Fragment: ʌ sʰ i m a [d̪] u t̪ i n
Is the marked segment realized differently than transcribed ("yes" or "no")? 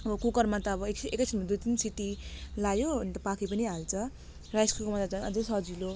no